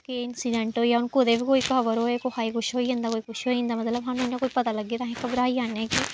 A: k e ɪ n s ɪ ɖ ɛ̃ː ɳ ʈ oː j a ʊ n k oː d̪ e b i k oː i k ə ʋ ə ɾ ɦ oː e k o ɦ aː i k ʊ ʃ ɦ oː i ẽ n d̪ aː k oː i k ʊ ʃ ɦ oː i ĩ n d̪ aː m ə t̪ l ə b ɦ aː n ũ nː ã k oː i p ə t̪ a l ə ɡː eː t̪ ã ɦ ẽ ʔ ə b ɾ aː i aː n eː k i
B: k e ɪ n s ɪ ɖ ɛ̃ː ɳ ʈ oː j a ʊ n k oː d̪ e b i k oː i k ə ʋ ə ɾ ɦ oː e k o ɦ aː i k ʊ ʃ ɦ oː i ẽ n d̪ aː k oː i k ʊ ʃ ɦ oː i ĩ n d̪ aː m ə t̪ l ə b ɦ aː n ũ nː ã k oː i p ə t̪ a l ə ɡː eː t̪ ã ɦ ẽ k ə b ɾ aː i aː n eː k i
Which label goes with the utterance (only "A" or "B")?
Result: B